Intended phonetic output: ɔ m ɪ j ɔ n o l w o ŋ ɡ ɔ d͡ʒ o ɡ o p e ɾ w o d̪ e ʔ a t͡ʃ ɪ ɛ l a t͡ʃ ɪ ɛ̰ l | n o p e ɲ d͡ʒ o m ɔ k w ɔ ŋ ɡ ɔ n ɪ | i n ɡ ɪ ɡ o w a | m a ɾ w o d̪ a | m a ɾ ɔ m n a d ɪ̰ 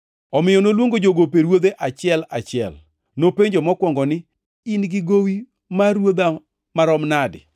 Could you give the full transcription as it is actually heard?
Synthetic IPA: ɔ m ɪ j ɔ n o l w o ŋ ɡ o d͡ʒ o ɡ o p e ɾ w o d̪ e ʔ a t͡ʃ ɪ ɛ l a t͡ʃ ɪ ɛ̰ l | n o p e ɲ d͡ʒ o m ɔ k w ɔ ŋ ɡ ɔ n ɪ | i n ɡ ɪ ɡ o w i | m a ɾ w o d̪ a | m a ɾ ɔ m n a d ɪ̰